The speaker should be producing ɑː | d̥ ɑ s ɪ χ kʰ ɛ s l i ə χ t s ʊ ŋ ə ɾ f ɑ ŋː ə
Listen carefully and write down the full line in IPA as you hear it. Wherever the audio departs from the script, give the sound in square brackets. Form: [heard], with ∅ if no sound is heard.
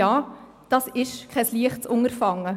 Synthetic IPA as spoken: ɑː | d̥ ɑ s ɪ [ʃ] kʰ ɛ s l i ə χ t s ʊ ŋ ə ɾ f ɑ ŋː ə

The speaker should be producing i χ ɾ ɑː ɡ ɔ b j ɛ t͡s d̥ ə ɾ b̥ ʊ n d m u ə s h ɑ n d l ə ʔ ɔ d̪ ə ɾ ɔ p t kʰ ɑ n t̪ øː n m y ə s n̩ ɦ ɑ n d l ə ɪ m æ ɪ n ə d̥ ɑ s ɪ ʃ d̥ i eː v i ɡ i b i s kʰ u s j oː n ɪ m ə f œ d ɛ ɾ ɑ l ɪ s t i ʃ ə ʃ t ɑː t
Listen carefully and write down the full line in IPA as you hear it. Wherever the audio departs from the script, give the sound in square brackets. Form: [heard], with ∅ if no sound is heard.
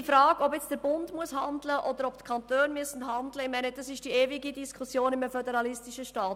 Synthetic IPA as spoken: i [f] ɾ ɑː ɡ ɔ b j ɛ t͡s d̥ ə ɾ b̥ ʊ n d m u ə s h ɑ n d l ə ʔ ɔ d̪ ə ɾ ɔ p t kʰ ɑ n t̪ øː n m y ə s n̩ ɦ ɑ n d l ə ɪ m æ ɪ n ə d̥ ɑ s ɪ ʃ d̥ i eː v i ɡ i [d] i s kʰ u s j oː n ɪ m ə f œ d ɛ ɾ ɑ l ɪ s t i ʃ ə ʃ t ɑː t

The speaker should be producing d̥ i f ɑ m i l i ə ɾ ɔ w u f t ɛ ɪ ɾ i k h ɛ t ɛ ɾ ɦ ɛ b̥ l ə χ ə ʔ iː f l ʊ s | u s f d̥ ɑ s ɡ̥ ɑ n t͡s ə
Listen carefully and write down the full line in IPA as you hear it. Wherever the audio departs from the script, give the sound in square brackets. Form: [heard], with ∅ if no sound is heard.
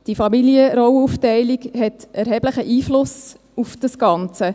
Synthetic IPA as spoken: d̥ i f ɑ m i l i ə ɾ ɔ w u f t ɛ ɪ [l] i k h ɛ t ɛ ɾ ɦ ɛ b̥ l ə χ ə ʔ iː f l ʊ s | u [∅] f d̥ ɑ s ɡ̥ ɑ n t͡s ə

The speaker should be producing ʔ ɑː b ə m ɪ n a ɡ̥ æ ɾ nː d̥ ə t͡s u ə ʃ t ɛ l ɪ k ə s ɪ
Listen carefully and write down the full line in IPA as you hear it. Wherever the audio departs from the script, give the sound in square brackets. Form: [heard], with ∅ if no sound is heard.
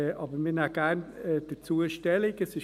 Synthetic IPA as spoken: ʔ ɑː b ə m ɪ n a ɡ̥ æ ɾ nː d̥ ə t͡s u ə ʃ t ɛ l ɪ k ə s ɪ

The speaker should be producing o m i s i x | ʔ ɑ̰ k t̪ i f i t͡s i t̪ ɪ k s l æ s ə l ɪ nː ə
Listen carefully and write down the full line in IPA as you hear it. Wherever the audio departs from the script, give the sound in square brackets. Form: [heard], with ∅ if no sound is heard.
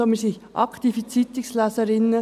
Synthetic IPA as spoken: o m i s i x | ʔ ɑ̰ k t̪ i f i t͡s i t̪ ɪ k s l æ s ə [ɾ] ɪ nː ə

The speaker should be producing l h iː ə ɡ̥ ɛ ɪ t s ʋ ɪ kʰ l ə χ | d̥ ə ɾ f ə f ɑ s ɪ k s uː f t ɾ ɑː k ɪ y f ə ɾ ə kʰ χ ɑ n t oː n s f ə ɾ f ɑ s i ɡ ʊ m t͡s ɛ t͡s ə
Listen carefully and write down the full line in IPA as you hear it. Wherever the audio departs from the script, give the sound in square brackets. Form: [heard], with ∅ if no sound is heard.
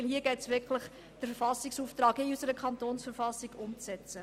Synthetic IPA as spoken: l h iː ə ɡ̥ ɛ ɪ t s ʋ ɪ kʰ l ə χ | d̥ ə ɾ f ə f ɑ s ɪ k s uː f t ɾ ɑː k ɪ y [s] ə ɾ ə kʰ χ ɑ n t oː n s f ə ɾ f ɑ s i ɡ ʊ m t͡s ɛ t͡s ə

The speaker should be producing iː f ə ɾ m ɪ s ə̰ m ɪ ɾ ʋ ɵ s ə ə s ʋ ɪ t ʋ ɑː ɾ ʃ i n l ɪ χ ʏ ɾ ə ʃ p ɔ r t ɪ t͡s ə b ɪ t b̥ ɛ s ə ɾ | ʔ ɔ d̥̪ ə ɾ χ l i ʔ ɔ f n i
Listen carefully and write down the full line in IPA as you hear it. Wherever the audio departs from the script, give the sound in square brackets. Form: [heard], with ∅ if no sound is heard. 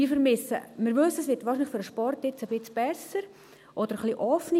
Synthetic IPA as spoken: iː f ə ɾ m ɪ s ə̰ m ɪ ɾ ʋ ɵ s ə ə s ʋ ɪ t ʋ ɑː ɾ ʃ i n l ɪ [f] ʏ ɾ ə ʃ p ɔ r t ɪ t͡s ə b ɪ [t͡s] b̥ ɛ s ə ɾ | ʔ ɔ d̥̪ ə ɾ χ l i ʔ ɔ f n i

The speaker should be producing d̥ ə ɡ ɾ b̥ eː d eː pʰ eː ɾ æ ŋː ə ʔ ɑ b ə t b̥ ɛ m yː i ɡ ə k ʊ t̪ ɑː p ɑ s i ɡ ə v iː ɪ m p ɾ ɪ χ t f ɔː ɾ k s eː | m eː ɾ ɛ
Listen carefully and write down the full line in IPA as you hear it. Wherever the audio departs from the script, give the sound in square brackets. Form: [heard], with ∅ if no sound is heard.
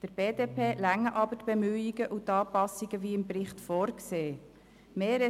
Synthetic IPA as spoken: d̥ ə [∅] ɾ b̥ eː d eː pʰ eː [l] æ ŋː ə ʔ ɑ b ə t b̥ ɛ m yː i ɡ ə [ʔ] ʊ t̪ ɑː p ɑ s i ɡ ə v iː ɪ m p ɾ ɪ χ t f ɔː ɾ k s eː | m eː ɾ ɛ

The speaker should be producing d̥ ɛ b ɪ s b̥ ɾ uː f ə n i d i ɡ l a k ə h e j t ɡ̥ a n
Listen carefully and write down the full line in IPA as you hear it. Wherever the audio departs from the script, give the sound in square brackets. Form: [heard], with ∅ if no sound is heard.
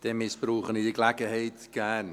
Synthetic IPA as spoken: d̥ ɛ [m] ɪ s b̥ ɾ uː [χ] ə n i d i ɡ l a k ə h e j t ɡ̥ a n

